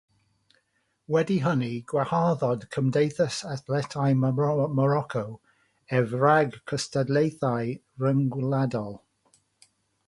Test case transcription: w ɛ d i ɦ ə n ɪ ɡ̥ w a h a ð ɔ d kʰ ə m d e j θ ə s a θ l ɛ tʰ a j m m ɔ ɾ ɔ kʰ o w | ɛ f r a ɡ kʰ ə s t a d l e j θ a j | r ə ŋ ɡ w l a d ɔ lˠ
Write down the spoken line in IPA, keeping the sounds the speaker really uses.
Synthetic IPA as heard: w ɛ d i ɦ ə n i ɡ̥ w a h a ð ɔ d kʰ ə m d e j θ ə s a θ l ɛ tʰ a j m m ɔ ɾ ɔ kʰ o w | ɛ v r a ɡ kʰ ə s t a d l e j θ a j | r ə ŋ ɡ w l a d ɔ lˠ